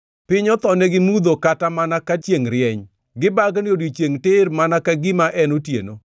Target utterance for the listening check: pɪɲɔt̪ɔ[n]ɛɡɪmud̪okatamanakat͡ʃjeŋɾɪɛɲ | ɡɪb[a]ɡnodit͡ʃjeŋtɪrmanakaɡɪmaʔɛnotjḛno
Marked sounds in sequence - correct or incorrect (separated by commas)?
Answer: correct, correct